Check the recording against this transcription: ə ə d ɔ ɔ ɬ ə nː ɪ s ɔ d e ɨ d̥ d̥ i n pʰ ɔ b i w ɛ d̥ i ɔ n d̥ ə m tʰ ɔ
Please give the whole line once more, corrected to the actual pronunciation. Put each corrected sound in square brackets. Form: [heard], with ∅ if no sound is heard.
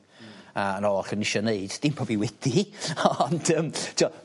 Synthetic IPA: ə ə [n] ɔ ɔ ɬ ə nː ɪ [ʃ] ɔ [n] e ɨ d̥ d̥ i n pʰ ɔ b i w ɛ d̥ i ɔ n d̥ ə m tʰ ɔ